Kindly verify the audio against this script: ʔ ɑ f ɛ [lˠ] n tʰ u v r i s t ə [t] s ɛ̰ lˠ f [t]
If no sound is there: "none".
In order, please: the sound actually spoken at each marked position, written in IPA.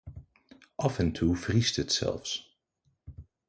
none, t, s

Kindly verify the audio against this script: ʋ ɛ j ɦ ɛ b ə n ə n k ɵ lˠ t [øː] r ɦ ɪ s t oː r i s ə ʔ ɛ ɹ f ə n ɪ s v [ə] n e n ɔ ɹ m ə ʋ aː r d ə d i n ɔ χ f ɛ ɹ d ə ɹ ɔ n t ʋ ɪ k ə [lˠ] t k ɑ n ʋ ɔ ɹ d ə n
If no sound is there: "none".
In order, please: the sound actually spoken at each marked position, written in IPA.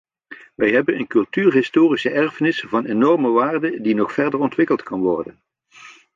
yː, ɑ, lˠ

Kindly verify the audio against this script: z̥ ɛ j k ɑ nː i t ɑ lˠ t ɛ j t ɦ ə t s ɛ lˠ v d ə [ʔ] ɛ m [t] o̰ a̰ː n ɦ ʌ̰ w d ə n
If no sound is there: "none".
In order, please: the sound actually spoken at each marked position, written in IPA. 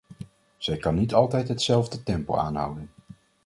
t, p

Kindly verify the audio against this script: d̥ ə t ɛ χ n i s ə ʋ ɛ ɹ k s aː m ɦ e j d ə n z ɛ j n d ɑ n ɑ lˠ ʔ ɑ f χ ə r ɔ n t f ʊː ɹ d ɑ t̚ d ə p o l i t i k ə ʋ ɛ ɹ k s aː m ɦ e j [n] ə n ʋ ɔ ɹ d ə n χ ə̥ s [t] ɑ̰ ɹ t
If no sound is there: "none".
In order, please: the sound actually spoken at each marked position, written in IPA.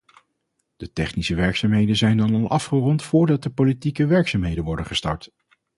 d, t

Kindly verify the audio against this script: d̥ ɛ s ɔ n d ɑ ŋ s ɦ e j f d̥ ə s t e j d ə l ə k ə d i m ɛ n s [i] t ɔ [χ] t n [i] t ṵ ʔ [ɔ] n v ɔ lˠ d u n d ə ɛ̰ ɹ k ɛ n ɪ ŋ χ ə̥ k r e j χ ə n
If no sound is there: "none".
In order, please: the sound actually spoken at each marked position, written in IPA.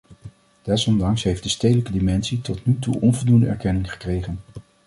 i, none, y, ɔ

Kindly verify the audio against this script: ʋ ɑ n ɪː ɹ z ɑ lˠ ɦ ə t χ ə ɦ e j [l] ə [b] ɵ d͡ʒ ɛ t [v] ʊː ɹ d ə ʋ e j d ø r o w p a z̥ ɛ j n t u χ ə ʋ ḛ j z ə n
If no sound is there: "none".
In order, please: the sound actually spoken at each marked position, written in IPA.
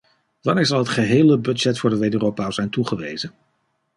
l, b, f

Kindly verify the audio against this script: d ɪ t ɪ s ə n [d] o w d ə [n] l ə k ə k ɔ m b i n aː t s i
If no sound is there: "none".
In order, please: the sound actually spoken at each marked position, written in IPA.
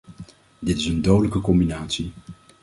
d, none

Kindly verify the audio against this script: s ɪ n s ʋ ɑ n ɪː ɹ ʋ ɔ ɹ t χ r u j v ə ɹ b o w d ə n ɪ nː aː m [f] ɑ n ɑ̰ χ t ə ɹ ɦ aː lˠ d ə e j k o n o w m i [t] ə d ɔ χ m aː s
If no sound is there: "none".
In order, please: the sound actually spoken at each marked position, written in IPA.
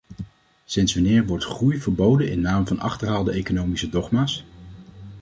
v, s

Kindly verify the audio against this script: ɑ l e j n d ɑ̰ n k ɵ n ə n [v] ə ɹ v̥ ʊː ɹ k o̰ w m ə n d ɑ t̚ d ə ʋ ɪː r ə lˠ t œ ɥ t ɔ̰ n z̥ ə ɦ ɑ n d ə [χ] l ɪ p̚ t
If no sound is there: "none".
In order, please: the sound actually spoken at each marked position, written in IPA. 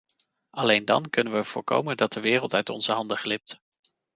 ʋ, χ

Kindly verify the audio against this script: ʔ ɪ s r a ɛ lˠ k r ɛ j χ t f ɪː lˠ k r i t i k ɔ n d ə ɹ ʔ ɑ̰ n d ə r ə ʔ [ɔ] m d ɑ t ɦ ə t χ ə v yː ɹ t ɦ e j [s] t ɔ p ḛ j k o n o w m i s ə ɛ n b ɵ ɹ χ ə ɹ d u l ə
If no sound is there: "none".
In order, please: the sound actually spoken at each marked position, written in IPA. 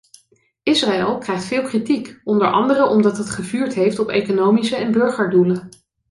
ɔ, f

